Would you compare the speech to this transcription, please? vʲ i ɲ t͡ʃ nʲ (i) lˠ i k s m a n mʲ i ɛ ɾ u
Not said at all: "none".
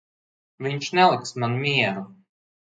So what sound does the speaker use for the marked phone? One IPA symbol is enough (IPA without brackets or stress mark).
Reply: ɛ